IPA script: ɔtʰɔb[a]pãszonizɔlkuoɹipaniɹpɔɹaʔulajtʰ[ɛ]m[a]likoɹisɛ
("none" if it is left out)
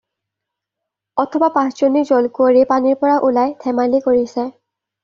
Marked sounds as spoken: a, ɛ, a

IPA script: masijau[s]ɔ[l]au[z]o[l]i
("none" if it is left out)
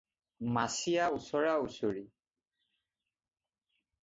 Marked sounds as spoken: s, ɹ, s, ɹ

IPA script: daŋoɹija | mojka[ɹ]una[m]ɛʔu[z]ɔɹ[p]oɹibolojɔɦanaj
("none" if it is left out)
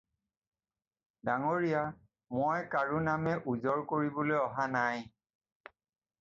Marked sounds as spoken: ɹ, m, z, k

